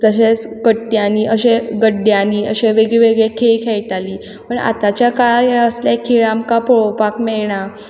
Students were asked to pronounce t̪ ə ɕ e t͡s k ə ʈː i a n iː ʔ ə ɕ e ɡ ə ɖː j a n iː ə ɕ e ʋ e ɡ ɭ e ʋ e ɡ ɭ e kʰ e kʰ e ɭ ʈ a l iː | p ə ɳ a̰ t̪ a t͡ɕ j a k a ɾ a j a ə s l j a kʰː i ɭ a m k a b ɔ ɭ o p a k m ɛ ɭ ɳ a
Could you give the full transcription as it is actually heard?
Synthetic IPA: t̪ ə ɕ e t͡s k ə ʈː j a n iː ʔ ə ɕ e ɡ ə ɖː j a n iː ə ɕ e ʋ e ɡ ɭ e ʋ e ɡ ɭ e kʰ e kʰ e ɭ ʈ a l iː | p ə ɳ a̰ t̪ a t͡ɕ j a k a ɭ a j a ə s l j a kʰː i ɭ a m k a p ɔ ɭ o p a k m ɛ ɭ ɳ a